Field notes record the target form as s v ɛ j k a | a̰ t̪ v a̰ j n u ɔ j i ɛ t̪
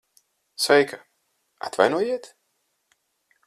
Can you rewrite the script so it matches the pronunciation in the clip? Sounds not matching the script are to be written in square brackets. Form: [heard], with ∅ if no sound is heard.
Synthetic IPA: s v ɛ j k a | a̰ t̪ v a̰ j n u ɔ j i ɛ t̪